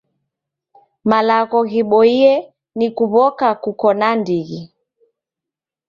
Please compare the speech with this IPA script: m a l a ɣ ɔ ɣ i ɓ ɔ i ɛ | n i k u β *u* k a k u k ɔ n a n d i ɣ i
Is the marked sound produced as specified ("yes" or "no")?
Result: no